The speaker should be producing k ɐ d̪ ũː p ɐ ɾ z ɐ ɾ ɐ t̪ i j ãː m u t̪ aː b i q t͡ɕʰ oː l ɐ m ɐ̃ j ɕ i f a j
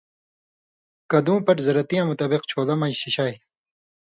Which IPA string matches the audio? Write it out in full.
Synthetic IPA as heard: k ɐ d̪ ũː p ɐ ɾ z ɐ ɾ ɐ t̪ i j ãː m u t̪ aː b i q t͡ɕʰ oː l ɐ m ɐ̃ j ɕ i ɕ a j